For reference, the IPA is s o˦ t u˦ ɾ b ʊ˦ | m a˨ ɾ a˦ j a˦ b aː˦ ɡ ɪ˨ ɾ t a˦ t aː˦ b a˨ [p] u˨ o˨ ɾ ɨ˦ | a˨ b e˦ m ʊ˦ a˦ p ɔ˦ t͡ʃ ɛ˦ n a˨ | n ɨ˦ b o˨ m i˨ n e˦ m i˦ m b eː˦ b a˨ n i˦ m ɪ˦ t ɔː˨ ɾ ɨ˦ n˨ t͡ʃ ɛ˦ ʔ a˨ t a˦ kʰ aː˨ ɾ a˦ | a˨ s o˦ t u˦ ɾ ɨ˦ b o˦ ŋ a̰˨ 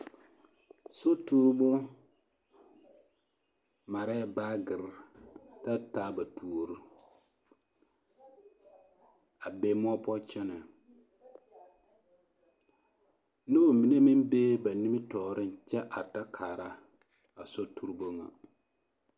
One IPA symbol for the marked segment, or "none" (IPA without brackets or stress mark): t